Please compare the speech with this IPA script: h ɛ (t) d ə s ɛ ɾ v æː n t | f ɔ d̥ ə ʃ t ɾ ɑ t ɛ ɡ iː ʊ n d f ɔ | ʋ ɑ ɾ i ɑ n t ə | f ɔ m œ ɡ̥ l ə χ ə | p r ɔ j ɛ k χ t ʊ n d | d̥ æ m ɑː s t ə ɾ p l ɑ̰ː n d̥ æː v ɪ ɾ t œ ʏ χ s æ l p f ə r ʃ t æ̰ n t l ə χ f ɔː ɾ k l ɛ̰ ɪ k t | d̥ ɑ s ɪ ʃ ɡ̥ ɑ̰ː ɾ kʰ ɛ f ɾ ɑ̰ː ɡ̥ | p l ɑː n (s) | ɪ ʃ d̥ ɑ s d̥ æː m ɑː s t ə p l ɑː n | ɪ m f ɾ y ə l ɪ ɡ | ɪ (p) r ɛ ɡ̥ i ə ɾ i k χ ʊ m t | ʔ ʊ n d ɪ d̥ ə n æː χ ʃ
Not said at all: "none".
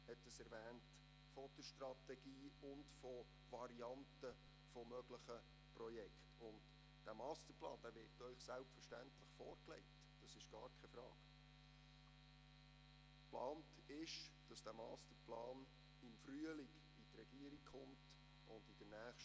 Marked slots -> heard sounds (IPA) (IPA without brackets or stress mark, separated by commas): t, t, t